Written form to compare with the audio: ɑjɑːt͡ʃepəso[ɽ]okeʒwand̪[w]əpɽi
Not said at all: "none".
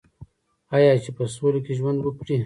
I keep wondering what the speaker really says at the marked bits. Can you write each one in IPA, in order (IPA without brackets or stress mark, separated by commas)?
l, w